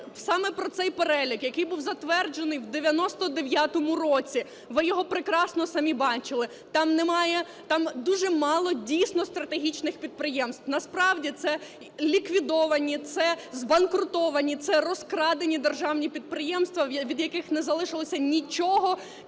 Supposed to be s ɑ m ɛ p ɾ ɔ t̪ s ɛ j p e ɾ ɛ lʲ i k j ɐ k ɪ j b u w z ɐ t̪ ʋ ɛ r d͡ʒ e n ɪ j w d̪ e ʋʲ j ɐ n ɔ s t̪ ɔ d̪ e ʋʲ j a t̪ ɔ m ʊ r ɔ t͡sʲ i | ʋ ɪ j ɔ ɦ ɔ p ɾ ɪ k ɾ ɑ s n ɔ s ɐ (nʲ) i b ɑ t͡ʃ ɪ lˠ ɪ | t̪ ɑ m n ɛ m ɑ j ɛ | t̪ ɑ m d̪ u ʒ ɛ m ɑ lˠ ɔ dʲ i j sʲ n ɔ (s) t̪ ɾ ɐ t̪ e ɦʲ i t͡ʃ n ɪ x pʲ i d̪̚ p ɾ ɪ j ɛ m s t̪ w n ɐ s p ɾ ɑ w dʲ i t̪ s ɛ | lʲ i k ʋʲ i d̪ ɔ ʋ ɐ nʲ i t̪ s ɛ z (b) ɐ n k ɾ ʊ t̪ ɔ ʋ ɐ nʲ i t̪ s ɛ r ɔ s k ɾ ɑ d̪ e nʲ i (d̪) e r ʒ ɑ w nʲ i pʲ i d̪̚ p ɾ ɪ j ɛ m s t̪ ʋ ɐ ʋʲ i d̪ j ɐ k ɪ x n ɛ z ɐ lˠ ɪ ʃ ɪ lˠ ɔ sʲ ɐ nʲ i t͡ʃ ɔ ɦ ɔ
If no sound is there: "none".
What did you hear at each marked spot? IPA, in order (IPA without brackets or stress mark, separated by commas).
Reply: mʲ, s, b, d̪